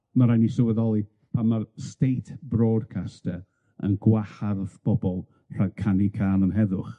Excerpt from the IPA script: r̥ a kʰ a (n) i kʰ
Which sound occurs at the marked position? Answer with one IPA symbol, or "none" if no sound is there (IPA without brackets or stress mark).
n